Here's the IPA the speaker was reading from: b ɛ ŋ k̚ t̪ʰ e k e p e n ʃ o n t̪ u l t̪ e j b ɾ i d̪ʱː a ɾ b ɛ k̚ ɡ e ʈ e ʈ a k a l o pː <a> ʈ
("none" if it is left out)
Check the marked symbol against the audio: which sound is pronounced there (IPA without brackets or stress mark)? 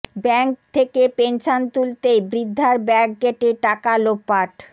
a